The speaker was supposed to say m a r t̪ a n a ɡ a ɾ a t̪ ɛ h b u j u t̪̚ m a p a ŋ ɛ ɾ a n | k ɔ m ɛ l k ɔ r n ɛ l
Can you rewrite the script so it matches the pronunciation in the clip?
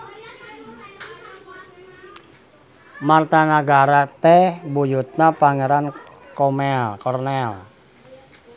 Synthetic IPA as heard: m a r t̪ a n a ɡ a ɾ a t̪ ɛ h b u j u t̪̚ n a p a ŋ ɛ ɾ a n | k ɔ m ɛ l k ɔ r n ɛ l